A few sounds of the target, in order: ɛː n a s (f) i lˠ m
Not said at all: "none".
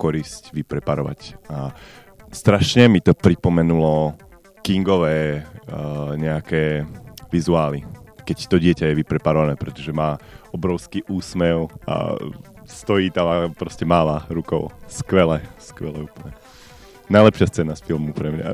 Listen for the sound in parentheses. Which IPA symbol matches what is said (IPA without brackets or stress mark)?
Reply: f